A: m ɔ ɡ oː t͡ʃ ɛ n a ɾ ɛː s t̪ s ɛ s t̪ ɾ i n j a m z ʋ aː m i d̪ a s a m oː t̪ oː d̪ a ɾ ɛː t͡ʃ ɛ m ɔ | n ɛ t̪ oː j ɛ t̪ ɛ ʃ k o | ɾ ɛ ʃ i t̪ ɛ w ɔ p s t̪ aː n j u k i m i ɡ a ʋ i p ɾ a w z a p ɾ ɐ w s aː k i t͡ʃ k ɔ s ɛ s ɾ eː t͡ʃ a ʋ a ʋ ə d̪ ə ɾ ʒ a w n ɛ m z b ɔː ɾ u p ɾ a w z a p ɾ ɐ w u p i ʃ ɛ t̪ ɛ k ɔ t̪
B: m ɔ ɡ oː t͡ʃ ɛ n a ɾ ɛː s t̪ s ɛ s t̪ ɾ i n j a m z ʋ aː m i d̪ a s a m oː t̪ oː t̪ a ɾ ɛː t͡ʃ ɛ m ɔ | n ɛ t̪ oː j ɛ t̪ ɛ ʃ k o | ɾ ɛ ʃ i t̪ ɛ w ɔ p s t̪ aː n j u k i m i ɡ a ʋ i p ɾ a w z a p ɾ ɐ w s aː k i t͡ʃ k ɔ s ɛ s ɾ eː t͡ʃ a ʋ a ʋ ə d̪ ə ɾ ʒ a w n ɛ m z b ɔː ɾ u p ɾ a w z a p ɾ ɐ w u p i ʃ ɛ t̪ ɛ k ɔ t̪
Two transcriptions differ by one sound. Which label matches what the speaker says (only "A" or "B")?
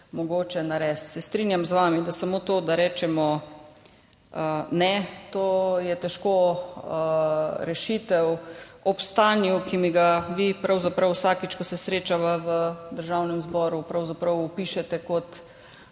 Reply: A